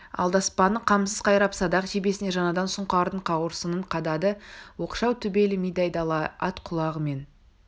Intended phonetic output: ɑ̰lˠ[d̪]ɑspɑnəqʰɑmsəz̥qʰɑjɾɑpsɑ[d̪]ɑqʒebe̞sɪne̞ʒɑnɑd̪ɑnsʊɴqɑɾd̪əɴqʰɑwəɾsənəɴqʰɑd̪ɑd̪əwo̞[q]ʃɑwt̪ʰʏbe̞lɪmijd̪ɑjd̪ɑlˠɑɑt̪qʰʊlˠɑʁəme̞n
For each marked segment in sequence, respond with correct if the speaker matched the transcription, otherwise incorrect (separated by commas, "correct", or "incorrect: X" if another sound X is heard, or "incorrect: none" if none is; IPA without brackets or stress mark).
correct, correct, correct